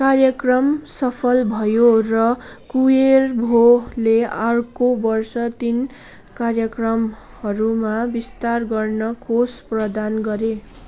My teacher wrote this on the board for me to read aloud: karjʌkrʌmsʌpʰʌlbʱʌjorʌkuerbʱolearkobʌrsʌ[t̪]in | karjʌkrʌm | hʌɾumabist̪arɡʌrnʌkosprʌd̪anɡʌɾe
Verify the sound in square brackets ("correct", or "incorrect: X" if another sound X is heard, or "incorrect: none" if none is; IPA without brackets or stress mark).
correct